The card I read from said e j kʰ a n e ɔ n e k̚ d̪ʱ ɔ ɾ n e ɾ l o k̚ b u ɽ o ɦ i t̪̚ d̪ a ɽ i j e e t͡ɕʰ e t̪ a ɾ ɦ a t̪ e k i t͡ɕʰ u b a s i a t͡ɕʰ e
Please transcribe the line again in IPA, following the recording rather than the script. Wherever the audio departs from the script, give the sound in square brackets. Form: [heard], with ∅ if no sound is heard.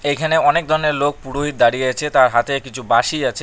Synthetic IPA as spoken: e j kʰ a n e ɔ n e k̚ d̪ʱ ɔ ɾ n e ɾ l o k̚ [p] u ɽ o ɦ i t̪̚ d̪ a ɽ i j e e t͡ɕʰ e t̪ a ɾ ɦ a t̪ e k i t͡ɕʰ u b a [ʃ] i a t͡ɕʰ e

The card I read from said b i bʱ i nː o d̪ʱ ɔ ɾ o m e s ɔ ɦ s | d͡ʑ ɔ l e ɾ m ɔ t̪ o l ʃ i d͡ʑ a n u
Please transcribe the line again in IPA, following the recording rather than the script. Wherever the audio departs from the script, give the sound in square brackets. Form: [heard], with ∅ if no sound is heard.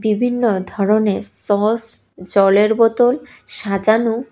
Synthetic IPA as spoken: b i bʱ i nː o d̪ʱ ɔ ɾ o [n] e s ɔ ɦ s | d͡ʑ ɔ l e ɾ [b] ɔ t̪ o l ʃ [a] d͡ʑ a n u

